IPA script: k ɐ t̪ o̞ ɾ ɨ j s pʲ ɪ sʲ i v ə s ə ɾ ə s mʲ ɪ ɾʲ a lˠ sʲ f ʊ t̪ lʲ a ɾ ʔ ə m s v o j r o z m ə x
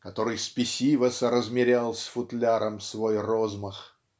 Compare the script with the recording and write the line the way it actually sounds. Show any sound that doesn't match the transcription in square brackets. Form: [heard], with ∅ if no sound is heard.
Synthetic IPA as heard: k ɐ t̪ o̞ ɾ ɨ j s pʲ ɪ sʲ i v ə s ə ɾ ə [z] mʲ ɪ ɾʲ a lˠ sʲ f ʊ t̪ lʲ a ɾ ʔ ə m s v o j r o z m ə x